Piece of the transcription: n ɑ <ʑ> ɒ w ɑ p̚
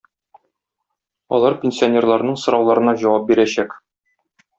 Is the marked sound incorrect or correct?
correct